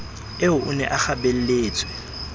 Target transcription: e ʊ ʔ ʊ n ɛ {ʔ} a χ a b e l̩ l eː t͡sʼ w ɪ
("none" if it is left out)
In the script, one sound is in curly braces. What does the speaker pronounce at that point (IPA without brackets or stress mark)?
ʔ